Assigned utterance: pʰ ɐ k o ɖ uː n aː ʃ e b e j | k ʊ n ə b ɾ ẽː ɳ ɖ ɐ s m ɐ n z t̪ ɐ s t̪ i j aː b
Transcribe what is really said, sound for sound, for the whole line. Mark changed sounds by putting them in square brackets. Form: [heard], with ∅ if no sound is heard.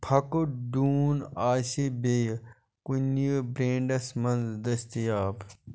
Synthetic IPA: pʰ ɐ k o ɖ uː n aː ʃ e b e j | k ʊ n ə b ɾ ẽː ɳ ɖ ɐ s m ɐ n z [d̪] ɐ s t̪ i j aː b